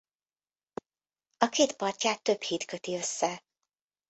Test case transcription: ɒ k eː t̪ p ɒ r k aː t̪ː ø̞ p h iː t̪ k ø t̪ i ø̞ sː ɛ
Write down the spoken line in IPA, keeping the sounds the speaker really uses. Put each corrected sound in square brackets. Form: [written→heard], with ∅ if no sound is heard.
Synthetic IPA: ɒ k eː t̪ p ɒ r [k→c] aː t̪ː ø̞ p h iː t̪ k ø t̪ i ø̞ sː ɛ